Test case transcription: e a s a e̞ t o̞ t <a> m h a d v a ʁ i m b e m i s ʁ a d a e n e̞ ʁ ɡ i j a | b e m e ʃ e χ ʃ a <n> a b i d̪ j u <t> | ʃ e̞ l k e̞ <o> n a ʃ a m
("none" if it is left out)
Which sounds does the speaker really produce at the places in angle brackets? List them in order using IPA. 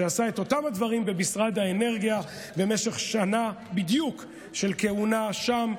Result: a, n, k, u

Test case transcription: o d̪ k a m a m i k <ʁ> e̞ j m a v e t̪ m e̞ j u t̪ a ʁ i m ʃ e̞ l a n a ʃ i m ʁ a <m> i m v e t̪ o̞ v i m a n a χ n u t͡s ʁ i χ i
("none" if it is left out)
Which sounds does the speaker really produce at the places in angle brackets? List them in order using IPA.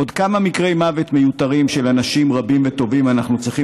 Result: ʁ, b

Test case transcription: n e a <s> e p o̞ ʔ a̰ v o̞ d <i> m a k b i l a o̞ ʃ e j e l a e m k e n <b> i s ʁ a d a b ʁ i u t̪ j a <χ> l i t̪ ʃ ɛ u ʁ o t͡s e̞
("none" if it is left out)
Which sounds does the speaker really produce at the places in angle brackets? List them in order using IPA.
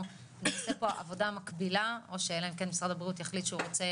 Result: s, a, m, χ

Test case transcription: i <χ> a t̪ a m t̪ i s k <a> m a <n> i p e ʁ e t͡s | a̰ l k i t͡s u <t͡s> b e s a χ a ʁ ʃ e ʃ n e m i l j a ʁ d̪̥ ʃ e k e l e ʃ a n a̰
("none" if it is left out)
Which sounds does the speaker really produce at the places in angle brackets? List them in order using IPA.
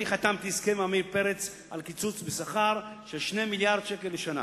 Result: χ, e, m, t͡s

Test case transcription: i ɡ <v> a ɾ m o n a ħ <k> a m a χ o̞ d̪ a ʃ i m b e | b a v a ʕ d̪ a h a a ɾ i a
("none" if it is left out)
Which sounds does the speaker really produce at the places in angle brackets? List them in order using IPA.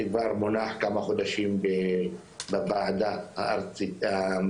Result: v, k

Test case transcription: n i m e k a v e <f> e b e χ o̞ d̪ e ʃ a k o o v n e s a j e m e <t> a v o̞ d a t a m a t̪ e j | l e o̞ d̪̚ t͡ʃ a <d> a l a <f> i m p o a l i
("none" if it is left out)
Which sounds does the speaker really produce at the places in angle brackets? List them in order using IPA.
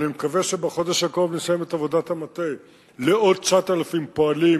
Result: ʃ, t, t, f

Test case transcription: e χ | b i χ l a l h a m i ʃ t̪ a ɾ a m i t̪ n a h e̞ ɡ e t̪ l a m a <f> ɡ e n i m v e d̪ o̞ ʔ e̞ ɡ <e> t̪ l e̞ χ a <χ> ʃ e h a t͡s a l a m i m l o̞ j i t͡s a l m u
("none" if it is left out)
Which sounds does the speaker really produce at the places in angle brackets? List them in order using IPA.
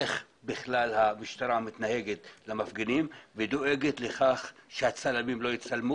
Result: f, e, χ

